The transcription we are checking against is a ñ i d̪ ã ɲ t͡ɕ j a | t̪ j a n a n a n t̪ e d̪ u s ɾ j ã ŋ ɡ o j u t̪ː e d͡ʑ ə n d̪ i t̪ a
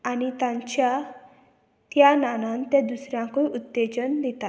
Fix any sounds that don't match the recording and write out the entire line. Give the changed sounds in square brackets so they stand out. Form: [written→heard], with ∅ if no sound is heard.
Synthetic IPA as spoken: a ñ i [d̪→t̪] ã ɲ t͡ɕ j a | t̪ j a n a n a n t̪ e d̪ u s ɾ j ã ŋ [ɡ→k] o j u t̪ː e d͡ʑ ə n d̪ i t̪ a